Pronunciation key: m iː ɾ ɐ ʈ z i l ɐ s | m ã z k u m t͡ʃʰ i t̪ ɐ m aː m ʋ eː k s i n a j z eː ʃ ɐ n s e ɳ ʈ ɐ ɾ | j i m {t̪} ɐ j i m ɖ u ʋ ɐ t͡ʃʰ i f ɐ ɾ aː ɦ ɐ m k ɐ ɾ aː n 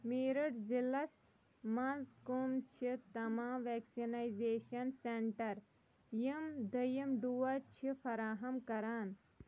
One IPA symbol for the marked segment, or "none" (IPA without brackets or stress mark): d̪